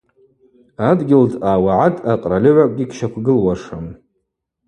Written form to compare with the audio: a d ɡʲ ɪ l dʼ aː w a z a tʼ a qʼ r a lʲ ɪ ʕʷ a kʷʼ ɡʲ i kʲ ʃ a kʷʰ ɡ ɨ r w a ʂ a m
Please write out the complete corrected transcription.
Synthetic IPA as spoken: a d ɡʲ ɪ l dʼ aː w a ʕ a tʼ a qʼ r a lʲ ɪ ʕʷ a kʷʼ ɡʲ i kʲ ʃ a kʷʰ ɡ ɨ l w a ʂ a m